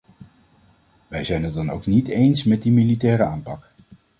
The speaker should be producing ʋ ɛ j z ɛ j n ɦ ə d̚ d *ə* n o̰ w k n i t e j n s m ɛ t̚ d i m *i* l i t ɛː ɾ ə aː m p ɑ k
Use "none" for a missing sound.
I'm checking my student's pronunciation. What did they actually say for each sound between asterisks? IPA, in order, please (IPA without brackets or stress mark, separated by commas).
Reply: ɑ, i